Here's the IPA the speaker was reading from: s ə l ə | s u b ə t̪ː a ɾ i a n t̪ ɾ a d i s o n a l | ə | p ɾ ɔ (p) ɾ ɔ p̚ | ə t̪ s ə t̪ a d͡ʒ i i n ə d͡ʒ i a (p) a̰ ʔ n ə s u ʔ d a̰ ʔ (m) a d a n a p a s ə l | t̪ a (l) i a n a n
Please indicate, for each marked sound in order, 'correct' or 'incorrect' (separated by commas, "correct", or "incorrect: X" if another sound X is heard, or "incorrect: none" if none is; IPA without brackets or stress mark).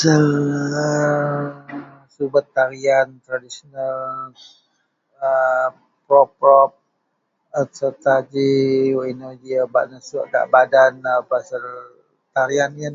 correct, incorrect: b, incorrect: b, incorrect: ɾ